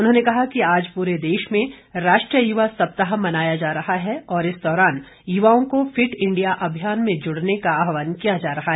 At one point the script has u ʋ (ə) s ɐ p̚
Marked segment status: incorrect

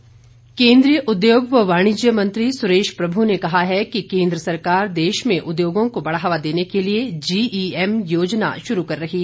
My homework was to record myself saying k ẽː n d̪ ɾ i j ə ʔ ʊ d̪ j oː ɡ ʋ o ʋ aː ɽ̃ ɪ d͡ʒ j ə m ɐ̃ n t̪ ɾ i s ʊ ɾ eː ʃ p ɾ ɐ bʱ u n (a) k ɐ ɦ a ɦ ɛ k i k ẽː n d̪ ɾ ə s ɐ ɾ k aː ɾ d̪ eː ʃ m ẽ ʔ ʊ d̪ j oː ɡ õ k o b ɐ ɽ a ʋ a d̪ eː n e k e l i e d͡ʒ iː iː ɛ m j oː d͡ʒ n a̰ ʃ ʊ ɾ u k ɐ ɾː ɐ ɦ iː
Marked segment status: incorrect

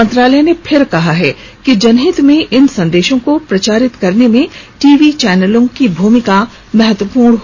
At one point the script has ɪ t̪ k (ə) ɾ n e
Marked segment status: incorrect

